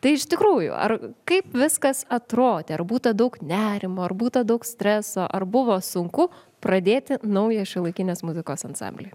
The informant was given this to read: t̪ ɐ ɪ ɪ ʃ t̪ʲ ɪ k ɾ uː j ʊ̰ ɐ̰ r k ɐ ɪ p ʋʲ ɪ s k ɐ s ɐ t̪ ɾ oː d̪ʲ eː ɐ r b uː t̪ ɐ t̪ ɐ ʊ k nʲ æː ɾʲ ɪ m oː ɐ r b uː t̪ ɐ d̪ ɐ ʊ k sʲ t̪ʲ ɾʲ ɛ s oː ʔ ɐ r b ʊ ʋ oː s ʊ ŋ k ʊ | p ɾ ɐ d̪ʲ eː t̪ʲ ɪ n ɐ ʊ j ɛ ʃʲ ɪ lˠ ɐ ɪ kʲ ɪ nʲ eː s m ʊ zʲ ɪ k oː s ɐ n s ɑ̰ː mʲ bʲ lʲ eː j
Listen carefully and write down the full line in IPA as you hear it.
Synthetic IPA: t̪ ɐ ɪ ɪ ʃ t̪ʲ ɪ k ɾ uː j ʊ̰ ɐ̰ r k ɐ ɪ p ʋʲ ɪ s k ɐ s ɐ t̪ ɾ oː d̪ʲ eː ɐ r b uː t̪ ɐ d̪ ɐ ʊ k nʲ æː ɾʲ ɪ m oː ɐ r b uː t̪ ɐ d̪ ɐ ʊ k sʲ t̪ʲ ɾʲ ɛ s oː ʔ ɐ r b ʊ ʋ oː s ʊ ŋ k ʊ | p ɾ ɐ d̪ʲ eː t̪ʲ ɪ n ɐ ʊ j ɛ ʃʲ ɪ lˠ ɐ ɪ kʲ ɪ nʲ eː s m ʊ zʲ ɪ k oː s ɐ n s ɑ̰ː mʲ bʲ lʲ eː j